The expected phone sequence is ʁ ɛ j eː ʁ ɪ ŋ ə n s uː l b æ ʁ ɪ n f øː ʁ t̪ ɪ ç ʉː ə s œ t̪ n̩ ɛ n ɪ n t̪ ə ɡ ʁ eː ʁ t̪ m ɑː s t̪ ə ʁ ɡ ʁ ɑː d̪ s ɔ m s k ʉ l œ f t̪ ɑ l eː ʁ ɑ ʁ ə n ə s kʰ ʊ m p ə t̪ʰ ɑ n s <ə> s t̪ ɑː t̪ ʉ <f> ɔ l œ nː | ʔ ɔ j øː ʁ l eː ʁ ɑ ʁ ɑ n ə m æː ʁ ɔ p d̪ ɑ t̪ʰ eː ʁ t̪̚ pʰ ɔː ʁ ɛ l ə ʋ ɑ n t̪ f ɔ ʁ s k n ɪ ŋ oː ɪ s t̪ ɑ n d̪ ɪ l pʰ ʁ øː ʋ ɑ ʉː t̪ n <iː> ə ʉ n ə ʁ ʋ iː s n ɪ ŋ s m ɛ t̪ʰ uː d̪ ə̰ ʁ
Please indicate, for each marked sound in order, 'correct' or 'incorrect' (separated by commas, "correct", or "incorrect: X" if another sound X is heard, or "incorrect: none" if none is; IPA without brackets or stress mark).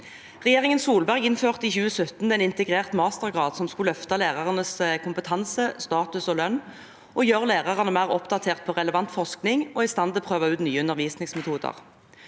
correct, incorrect: s, incorrect: yː